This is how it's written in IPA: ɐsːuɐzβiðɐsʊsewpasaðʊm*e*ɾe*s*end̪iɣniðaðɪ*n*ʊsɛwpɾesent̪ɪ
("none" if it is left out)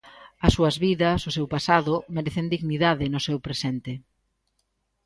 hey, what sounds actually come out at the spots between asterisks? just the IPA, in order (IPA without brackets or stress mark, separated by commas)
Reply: e, θ, n